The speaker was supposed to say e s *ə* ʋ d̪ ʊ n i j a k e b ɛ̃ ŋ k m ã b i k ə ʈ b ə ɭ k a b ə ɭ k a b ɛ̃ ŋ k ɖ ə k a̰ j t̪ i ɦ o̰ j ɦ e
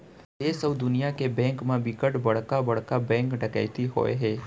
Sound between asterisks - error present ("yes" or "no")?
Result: no